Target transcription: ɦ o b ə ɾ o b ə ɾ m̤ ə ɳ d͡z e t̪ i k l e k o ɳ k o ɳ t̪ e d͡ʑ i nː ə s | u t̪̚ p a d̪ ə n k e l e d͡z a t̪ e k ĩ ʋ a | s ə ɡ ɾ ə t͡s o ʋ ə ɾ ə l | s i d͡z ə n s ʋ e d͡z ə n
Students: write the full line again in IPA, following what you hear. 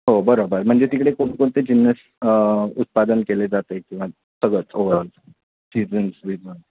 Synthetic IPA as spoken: ɦ o b ə ɾ o b ə ɾ m̤ ə ɳ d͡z e t̪ i k ɽ e k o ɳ k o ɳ t̪ e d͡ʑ i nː ə s | u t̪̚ p a d̪ ə n k e l e d͡z a t̪ e k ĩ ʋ a | s ə ɡ ɭ ə t͡s o ʋ ə ɾ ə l | s i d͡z ə n s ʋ i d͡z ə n